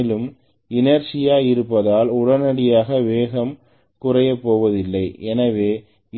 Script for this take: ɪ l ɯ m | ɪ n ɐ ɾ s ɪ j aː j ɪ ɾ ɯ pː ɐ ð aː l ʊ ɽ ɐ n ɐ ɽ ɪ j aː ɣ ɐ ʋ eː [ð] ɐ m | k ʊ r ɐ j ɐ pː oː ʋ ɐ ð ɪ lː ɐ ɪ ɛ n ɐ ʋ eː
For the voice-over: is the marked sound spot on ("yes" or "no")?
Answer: no